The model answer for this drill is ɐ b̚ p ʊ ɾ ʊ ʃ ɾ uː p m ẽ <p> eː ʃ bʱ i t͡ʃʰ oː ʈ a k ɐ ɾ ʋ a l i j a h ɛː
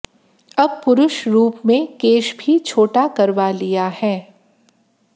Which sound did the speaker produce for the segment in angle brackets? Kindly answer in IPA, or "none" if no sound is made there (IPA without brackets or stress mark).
k